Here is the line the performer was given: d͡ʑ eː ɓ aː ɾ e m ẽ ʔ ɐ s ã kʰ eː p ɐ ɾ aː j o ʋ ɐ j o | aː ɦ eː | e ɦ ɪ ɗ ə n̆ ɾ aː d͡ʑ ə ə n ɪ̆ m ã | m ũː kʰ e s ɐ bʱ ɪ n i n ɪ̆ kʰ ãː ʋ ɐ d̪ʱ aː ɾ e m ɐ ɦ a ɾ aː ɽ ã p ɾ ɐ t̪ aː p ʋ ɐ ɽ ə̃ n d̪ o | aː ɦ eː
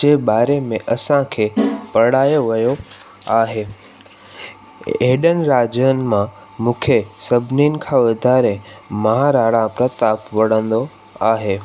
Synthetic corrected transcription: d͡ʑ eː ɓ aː ɾ e m ẽ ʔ ɐ s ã kʰ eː p ɐ ɽ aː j o ʋ ɐ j o | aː ɦ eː | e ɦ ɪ ɗ ə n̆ ɾ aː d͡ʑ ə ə n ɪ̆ m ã | m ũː kʰ e s ɐ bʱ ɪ n i n ɪ̆ kʰ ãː ʋ ɐ d̪ʱ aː ɾ e m ɐ ɦ a ɾ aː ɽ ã p ɾ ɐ t̪ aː p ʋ ɐ ɽ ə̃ n d̪ o | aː ɦ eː